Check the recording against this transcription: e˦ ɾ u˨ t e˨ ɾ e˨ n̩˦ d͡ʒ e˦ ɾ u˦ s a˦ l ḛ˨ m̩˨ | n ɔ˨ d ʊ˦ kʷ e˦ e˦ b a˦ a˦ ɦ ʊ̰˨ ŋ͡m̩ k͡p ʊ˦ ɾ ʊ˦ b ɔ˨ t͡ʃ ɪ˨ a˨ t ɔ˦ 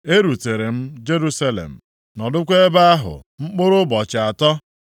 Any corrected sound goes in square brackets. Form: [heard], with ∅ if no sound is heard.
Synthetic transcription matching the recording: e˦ ɾ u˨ t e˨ ɾ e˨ [m̩˦] d͡ʒ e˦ ɾ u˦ s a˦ l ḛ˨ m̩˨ | n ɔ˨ d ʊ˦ kʷ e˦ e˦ b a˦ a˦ ɦ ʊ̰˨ ŋ͡m̩ k͡p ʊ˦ ɾ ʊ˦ b ɔ˨ t͡ʃ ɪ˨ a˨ t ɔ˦